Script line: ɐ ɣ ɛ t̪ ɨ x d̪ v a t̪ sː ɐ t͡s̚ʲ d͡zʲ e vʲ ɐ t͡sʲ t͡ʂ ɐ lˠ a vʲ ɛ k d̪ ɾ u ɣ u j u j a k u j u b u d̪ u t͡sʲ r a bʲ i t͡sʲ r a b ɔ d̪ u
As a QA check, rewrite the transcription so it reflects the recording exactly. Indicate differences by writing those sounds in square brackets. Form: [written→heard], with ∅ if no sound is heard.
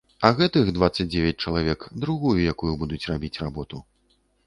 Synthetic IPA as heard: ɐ ɣ ɛ t̪ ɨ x d̪ v a t̪ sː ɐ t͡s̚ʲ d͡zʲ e vʲ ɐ t͡sʲ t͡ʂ ɐ lˠ a vʲ ɛ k d̪ ɾ u ɣ u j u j a k u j u b u d̪ u t͡sʲ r a bʲ i t͡sʲ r a b ɔ [d̪→t̪] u